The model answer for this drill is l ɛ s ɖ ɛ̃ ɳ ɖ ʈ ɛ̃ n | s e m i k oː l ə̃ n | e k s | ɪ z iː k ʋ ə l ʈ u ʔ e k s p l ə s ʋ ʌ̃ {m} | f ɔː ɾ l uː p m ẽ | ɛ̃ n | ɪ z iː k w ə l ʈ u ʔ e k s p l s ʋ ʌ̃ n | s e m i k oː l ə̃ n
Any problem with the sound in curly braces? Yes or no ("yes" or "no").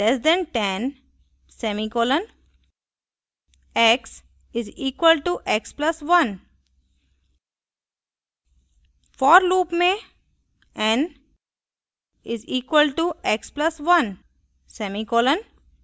yes